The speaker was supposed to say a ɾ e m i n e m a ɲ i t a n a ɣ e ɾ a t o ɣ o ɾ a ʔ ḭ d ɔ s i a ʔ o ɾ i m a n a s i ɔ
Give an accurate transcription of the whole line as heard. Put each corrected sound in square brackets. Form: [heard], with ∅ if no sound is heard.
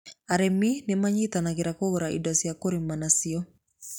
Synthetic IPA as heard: a ɾ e m i n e m a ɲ i t a n a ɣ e ɾ a [k] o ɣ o ɾ a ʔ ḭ d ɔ s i a [k] o ɾ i m a n a s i ɔ

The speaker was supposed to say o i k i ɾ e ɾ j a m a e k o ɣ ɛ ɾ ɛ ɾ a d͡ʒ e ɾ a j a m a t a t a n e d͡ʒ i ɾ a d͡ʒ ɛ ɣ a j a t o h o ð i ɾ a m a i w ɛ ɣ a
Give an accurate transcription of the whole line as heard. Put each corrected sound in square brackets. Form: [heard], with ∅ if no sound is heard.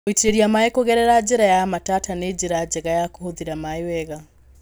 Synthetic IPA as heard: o i [t] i ɾ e ɾ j a m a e k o ɣ ɛ ɾ ɛ ɾ a d͡ʒ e ɾ a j a m a t a t a n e d͡ʒ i ɾ a d͡ʒ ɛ ɣ a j a [k] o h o ð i ɾ a m a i w ɛ ɣ a

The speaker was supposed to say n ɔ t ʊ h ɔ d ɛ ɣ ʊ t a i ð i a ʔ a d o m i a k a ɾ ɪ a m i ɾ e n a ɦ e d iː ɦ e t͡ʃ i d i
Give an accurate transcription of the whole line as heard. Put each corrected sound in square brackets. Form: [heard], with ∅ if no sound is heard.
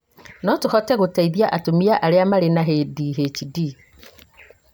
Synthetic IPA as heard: n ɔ t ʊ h ɔ [t] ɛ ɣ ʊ t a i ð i a ʔ a [t] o m i a [ʔ] a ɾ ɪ a m [a] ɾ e n a ɦ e d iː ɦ e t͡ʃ i d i

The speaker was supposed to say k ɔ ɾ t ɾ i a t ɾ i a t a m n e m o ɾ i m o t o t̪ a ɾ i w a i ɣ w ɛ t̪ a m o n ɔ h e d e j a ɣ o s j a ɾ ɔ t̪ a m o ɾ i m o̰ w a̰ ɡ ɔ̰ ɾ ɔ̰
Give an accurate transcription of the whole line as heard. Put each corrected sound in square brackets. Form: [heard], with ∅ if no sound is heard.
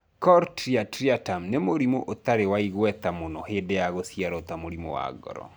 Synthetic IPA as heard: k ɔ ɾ t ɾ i a t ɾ i a t a m n e m o ɾ i m o [ʔ] o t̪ a ɾ [e] w a i ɣ w ɛ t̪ a m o n ɔ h e d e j a ɣ o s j a ɾ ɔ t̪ a m o ɾ i m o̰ w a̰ ɡ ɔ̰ ɾ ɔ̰

